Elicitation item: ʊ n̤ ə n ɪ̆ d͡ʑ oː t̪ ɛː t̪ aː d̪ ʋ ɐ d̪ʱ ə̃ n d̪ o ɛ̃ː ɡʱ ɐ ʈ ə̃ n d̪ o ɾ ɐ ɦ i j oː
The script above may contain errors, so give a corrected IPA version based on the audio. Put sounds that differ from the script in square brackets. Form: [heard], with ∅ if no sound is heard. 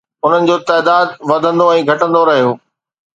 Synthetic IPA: ʊ n̤ ə n ɪ̆ d͡ʑ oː t̪ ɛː [d̪] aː d̪ ʋ ɐ d̪ʱ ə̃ n d̪ o ɛ̃ː ɡʱ ɐ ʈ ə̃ n d̪ o ɾ ɐ ɦ i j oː